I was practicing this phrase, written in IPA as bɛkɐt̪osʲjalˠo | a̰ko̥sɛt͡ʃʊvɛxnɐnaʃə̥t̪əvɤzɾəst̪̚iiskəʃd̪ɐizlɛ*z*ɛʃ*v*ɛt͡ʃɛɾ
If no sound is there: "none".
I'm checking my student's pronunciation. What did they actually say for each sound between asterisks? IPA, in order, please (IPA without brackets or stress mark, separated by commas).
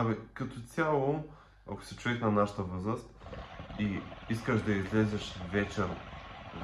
z, v